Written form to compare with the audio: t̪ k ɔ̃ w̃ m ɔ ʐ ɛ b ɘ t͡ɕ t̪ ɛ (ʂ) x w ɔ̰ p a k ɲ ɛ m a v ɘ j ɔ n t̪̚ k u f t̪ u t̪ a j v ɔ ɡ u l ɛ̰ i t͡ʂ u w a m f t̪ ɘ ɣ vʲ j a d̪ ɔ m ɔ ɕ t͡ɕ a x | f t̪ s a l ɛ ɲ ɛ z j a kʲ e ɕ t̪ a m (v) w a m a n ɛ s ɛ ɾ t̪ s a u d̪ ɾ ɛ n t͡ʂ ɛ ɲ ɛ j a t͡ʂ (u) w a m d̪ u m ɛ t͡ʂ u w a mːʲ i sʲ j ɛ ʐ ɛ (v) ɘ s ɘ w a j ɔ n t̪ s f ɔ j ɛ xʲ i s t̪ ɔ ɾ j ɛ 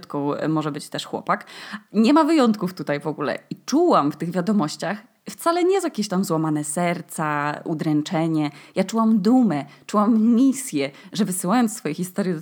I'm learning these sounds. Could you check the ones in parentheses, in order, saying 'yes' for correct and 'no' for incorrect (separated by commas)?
yes, no, yes, yes